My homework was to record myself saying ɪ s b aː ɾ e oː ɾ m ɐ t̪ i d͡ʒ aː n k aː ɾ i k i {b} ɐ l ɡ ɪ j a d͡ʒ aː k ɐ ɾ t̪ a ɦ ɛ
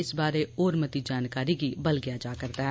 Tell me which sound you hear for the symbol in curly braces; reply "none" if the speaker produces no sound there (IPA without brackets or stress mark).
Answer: b